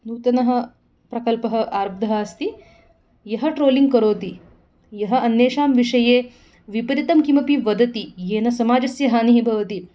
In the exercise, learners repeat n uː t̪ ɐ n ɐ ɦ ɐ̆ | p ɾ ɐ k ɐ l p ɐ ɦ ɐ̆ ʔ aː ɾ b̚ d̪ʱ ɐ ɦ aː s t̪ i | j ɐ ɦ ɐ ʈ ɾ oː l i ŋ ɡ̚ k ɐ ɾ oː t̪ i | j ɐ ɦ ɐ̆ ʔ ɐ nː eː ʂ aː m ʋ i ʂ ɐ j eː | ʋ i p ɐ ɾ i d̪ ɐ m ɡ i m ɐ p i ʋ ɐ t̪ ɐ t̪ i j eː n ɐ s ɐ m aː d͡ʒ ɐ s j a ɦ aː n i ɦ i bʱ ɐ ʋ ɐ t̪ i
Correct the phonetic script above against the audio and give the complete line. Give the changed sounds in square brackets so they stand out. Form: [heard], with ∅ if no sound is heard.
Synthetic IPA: n uː t̪ ɐ n ɐ ɦ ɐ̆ | p ɾ ɐ k ɐ l p ɐ ɦ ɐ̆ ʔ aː ɾ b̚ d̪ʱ ɐ ɦ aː s t̪ i | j ɐ ɦ ɐ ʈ ɾ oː l i ŋ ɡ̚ k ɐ ɾ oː t̪ i | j ɐ ɦ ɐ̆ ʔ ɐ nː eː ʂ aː m ʋ i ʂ ɐ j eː | ʋ i p ɐ ɾ i [t̪] ɐ m [k] i m ɐ p i ʋ ɐ [d̪] ɐ t̪ i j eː n ɐ s ɐ m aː d͡ʒ ɐ s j [ɐ] ɦ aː n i ɦ i bʱ ɐ ʋ ɐ t̪ i

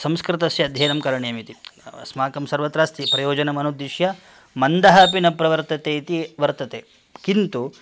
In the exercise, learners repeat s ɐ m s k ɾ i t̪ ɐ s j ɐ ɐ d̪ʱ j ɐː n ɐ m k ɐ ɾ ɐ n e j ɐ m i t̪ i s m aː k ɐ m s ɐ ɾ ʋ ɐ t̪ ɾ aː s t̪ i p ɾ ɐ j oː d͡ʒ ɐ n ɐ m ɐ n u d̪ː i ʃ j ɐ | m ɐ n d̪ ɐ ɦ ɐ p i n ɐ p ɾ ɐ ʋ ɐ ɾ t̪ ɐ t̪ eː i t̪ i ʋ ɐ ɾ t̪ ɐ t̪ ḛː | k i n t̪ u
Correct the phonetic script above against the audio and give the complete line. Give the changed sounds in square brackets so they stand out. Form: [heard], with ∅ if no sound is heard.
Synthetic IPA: s ɐ m s k ɾ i t̪ ɐ s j ɐ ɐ d̪ʱ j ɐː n ɐ m k ɐ ɾ ɐ [ɳ] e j ɐ m i t̪ i s m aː k ɐ m s ɐ ɾ ʋ ɐ t̪ ɾ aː s t̪ i p ɾ ɐ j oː d͡ʒ ɐ n ɐ m ɐ n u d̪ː i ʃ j ɐ | m ɐ n d̪ ɐ ɦ ɐ p i n ɐ p ɾ ɐ ʋ ɐ ɾ t̪ ɐ t̪ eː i t̪ i ʋ ɐ ɾ t̪ ɐ t̪ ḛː | k i n t̪ u

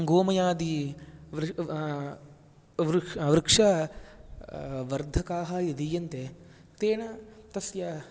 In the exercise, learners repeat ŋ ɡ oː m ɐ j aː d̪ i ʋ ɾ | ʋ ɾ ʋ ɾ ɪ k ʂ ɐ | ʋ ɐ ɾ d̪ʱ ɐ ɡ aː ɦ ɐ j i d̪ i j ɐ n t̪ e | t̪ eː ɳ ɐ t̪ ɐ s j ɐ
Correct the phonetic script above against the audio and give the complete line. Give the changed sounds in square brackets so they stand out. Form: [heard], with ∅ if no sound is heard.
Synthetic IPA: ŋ ɡ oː m ɐ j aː d̪ i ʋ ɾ | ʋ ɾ ʋ ɾ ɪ k ʂ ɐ | ʋ ɐ ɾ d̪ʱ ɐ [k] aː ɦ ɐ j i d̪ i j ɐ n t̪ e | t̪ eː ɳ ɐ t̪ ɐ s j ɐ

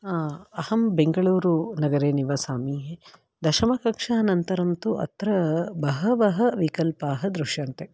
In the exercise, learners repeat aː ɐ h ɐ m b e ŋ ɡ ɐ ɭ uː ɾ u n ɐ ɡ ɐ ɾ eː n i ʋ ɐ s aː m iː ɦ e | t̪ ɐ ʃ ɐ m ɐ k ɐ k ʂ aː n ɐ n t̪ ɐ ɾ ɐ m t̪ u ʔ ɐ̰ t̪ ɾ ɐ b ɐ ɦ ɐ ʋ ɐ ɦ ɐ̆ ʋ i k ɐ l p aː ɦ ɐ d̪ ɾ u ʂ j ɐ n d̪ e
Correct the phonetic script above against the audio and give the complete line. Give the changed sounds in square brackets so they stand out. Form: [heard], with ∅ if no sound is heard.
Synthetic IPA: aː ɐ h ɐ m b e ŋ ɡ ɐ ɭ uː ɾ u n ɐ ɡ ɐ ɾ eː n i ʋ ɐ s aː m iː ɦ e | [d̪] ɐ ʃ ɐ m ɐ k ɐ k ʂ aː n ɐ n t̪ ɐ ɾ ɐ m t̪ u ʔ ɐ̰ t̪ ɾ ɐ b ɐ ɦ ɐ ʋ ɐ ɦ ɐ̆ ʋ i k ɐ l p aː ɦ ɐ d̪ ɾ u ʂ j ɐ n [t̪] e

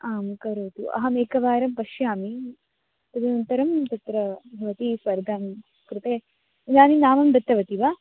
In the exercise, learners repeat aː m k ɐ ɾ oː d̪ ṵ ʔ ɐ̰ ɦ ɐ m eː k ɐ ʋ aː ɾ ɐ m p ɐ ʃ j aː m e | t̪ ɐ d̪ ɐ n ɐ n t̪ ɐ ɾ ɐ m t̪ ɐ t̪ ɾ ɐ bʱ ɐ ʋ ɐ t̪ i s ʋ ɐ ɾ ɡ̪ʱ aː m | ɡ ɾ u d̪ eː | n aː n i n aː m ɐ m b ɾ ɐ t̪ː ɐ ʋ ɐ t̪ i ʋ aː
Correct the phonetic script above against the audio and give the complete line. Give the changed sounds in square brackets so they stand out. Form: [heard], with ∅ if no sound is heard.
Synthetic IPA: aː m k ɐ ɾ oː [t̪] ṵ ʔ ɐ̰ ɦ ɐ m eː k ɐ ʋ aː ɾ ɐ m p ɐ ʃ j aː m [i] | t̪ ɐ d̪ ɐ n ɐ n t̪ ɐ ɾ ɐ m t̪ ɐ t̪ ɾ ɐ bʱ ɐ ʋ ɐ t̪ i s ʋ ɐ ɾ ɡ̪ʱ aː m | [k] ɾ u [t̪] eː | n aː n i n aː m ɐ m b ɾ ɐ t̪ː ɐ ʋ ɐ t̪ i ʋ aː

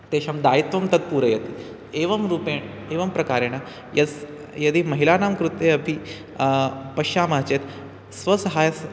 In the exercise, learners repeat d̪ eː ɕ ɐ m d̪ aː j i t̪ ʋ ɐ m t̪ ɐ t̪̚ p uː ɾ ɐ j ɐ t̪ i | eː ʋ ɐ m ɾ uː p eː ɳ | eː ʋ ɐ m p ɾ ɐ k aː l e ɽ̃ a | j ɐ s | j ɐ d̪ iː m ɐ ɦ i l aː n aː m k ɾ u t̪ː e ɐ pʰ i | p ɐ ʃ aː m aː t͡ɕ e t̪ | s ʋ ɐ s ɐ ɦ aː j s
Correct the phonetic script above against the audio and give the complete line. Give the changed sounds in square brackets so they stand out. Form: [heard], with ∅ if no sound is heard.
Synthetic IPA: [t̪] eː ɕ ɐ m d̪ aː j i t̪ ʋ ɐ m t̪ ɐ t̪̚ p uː ɾ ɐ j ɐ t̪ i | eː ʋ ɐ m ɾ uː p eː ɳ | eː ʋ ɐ m p ɾ ɐ k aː [ɾ] e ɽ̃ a | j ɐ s | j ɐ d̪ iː m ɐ ɦ i l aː n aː m k ɾ u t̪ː e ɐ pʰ i | p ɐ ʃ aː m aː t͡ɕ e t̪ | s ʋ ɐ s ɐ ɦ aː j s

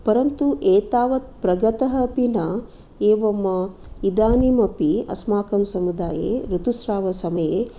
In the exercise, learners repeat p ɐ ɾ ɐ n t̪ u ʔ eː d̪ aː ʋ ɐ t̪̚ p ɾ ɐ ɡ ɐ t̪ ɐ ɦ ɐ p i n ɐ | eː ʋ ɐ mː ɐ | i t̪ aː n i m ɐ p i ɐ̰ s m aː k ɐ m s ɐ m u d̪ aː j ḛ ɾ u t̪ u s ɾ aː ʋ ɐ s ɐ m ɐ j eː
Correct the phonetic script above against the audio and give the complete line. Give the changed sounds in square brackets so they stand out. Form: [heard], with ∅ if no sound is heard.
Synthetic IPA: p ɐ ɾ ɐ n t̪ u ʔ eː [t̪] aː ʋ ɐ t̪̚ p ɾ ɐ ɡ ɐ t̪ ɐ ɦ ɐ p i n ɐ | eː ʋ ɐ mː ɐ | i [d̪] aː n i m ɐ p i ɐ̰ s m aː k ɐ m s ɐ m u d̪ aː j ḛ ɾ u t̪ u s ɾ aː ʋ ɐ s ɐ m ɐ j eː

